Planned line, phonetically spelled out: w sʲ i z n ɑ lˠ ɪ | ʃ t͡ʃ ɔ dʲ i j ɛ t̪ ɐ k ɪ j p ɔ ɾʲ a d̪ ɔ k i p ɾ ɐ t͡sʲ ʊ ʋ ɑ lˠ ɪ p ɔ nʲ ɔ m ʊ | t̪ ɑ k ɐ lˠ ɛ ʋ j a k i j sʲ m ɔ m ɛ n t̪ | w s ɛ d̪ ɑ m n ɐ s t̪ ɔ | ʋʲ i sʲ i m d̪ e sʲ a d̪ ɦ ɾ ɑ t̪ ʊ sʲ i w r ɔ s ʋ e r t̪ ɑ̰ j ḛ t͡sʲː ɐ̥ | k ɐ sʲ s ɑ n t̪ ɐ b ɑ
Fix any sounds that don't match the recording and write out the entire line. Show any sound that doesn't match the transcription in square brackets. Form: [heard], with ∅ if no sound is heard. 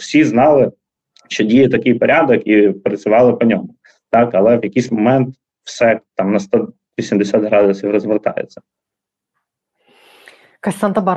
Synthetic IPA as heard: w sʲ i z n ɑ lˠ ɪ | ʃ t͡ʃ ɔ dʲ i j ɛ t̪ ɐ k ɪ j p ɔ ɾʲ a d̪ ɔ k i p ɾ ɐ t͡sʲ ʊ ʋ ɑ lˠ ɪ p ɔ nʲ ɔ m ʊ | t̪ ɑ k ɐ lˠ ɛ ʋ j [ɐ] k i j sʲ m ɔ m ɛ n t̪ | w s ɛ [t̪] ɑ m n ɐ s t̪ ɔ | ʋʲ i sʲ i m d̪ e sʲ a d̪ ɦ ɾ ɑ [d̪] ʊ sʲ i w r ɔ [z] ʋ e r t̪ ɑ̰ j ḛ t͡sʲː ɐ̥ | k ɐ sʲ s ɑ n t̪ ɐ b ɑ